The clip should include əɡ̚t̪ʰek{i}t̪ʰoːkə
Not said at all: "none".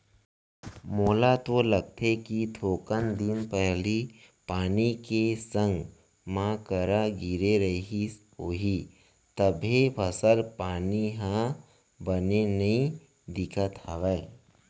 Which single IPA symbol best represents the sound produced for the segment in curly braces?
i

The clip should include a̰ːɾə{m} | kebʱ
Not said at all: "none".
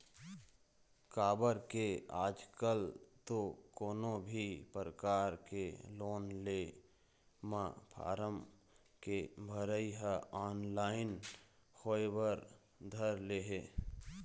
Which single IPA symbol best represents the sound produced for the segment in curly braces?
m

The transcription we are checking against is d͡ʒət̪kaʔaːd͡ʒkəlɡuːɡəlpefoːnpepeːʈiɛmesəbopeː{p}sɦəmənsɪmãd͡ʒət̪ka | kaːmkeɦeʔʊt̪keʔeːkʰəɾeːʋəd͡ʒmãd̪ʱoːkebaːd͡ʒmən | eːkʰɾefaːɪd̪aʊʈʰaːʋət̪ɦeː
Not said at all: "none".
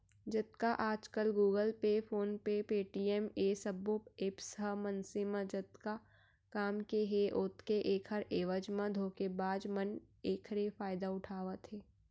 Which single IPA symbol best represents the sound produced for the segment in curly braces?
p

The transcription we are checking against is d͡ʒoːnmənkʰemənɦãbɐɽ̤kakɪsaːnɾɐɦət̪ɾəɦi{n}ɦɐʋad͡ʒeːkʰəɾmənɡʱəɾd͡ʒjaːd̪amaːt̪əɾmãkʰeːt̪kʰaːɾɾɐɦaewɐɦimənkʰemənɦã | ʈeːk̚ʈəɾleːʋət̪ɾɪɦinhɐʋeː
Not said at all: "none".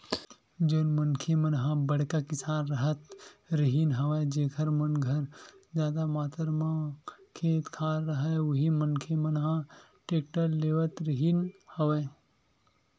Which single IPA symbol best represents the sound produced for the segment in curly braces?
n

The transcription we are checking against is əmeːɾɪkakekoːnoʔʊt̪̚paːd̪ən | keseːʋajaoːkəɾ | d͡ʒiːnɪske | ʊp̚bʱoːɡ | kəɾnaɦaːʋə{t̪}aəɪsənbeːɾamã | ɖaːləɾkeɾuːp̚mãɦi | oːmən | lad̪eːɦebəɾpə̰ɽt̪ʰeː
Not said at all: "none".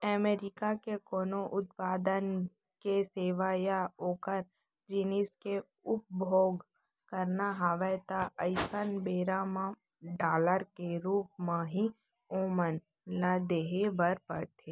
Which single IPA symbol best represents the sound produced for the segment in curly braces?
t̪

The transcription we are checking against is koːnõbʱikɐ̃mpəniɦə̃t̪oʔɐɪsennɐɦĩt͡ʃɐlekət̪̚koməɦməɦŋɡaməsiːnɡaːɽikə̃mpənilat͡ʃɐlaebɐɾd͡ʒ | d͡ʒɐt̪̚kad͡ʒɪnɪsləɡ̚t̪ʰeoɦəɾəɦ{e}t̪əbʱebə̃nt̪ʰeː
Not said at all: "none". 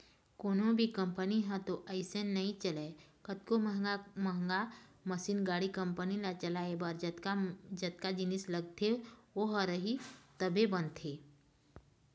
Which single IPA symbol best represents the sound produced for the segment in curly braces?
i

